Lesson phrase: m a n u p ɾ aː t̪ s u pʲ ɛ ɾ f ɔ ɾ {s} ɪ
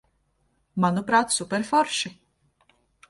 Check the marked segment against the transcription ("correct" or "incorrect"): incorrect